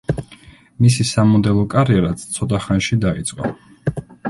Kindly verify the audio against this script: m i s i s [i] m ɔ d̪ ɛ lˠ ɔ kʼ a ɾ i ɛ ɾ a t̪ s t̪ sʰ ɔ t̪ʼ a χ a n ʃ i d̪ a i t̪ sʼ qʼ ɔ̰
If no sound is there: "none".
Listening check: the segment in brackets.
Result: a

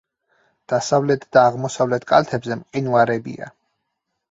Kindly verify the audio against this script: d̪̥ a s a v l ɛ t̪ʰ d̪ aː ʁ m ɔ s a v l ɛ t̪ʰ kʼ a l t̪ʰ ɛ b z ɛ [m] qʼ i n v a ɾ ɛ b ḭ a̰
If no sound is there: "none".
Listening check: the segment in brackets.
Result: m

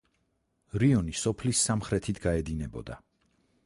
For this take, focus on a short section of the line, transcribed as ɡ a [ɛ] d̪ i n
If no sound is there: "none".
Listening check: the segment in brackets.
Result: ɛ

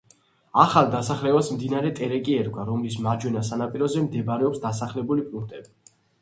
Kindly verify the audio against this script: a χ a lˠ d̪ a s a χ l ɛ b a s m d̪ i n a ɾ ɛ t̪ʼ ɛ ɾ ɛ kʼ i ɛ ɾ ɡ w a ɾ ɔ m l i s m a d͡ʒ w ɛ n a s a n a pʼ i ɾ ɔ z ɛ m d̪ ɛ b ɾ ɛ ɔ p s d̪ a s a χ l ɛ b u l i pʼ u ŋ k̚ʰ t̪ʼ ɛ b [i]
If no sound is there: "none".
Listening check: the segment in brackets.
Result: i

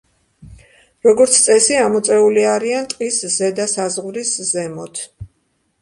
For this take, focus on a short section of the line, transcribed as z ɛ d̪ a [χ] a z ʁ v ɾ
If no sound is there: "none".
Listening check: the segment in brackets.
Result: s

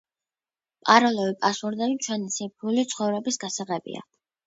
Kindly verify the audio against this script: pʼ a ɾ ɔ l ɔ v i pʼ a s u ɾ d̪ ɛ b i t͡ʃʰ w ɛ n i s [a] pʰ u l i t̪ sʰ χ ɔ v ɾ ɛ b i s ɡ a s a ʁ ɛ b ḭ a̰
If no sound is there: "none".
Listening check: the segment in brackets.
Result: i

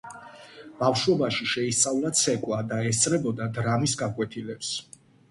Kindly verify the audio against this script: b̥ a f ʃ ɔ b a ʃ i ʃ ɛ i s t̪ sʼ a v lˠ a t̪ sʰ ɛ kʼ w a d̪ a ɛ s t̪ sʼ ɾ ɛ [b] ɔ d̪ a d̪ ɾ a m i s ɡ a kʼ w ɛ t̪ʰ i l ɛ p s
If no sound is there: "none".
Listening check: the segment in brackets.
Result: b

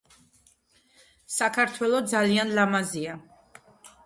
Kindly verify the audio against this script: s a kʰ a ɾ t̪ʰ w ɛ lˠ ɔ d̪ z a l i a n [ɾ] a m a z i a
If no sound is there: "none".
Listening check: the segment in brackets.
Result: l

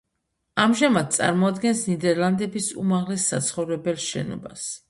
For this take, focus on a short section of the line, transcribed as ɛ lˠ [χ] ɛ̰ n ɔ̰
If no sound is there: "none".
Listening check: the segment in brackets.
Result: ʃ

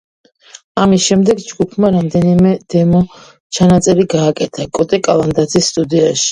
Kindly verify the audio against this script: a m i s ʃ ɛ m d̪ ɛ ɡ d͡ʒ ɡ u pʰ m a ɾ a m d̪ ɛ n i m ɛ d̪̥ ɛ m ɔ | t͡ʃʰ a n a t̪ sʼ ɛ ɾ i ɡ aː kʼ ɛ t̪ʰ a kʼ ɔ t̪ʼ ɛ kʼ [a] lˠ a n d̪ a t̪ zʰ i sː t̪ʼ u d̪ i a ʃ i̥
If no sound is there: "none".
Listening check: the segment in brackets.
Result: a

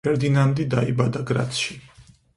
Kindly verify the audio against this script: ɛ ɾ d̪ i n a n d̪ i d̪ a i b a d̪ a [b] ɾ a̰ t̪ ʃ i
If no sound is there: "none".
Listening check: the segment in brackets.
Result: ɡ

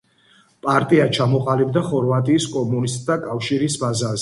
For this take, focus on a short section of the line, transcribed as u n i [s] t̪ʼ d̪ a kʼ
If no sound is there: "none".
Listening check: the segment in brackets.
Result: s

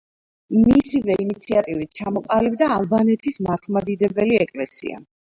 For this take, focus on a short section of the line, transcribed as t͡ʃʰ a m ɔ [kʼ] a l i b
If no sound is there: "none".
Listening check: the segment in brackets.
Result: qʼ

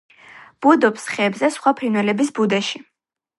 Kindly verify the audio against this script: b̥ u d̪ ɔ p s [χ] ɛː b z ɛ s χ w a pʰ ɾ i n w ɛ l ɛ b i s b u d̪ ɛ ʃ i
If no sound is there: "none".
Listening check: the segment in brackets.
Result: χ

